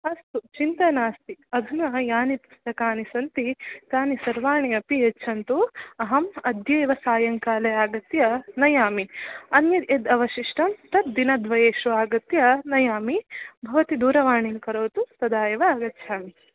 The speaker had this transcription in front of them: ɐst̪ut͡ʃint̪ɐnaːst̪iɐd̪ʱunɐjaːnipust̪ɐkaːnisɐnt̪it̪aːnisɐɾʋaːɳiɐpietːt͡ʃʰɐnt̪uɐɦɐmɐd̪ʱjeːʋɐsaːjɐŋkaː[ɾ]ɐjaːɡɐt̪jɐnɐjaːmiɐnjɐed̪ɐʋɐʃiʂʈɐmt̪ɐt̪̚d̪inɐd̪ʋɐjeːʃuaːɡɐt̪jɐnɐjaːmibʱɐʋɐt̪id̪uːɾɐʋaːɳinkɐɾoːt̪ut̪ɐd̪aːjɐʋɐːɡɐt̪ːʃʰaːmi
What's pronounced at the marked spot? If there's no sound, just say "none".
l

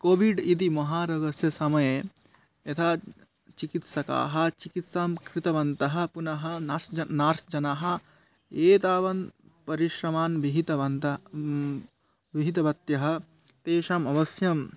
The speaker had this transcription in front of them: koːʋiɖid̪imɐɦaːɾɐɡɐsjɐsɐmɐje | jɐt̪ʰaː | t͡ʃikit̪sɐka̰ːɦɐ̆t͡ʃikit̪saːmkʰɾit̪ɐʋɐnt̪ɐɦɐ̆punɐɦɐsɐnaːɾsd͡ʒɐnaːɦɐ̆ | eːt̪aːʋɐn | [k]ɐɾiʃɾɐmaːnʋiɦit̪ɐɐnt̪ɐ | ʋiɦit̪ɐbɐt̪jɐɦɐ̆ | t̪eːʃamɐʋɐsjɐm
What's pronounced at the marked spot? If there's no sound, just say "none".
p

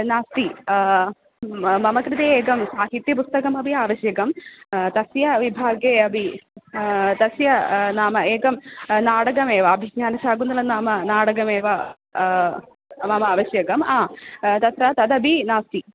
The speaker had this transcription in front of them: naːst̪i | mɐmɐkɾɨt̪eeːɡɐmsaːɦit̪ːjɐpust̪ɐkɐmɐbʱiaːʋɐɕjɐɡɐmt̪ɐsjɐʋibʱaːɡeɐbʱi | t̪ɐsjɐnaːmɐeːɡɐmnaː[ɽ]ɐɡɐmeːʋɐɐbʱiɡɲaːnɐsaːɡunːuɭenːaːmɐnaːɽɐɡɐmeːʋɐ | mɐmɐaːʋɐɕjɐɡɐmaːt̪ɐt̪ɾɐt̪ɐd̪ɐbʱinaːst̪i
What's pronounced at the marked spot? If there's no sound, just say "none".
ɽ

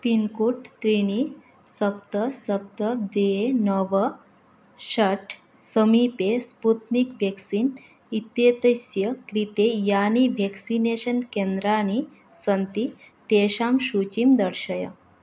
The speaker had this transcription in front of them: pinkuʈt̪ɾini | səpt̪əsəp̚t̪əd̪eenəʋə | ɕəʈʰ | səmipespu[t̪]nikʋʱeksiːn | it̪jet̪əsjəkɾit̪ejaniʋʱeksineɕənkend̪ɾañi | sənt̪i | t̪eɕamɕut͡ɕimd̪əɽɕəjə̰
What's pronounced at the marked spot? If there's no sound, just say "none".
t̪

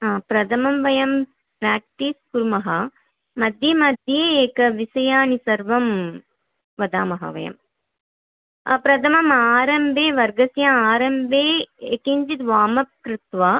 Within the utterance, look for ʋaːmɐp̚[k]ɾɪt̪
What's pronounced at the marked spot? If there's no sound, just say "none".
k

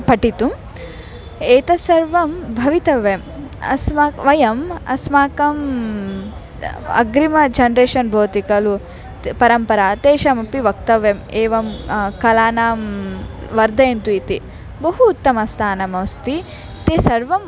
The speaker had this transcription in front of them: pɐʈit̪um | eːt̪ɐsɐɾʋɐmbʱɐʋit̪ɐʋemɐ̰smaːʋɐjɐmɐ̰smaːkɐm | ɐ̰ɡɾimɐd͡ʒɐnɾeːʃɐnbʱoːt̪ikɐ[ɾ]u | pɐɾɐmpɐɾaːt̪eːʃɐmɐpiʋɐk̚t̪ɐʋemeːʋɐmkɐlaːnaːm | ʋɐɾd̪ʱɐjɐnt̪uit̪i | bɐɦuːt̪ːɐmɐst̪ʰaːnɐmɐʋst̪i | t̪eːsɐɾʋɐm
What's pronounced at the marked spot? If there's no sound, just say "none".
l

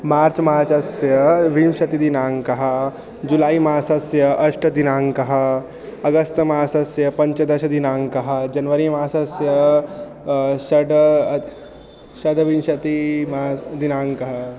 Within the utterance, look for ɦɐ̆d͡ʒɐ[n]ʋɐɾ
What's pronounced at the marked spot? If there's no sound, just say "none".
n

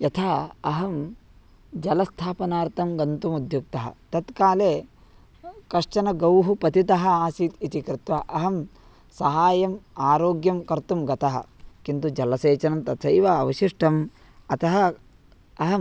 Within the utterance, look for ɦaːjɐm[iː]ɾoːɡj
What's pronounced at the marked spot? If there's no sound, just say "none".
aː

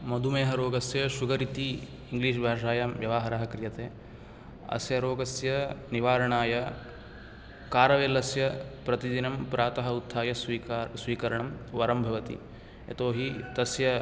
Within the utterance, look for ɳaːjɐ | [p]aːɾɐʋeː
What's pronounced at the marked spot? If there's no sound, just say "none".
k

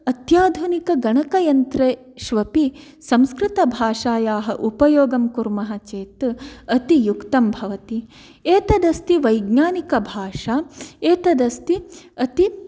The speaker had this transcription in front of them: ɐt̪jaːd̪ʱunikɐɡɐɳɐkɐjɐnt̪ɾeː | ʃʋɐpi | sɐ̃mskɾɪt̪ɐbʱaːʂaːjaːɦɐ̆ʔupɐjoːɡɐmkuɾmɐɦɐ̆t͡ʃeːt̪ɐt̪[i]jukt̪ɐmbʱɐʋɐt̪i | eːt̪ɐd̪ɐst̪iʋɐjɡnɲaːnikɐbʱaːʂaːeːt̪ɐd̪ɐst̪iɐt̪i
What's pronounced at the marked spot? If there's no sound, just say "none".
i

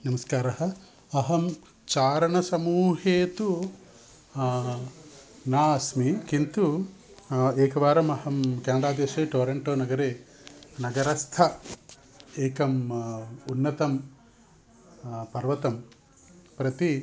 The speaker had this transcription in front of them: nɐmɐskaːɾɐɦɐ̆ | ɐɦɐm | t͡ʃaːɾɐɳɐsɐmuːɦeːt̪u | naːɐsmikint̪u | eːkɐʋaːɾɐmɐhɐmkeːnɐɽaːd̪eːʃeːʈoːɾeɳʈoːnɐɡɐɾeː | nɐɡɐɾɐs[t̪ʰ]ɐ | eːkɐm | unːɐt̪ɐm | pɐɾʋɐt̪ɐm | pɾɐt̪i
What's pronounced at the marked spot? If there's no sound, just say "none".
t̪ʰ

